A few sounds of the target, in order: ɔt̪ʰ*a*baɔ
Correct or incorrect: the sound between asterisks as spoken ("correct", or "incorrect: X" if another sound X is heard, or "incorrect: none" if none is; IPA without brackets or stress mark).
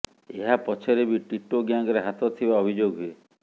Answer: incorrect: i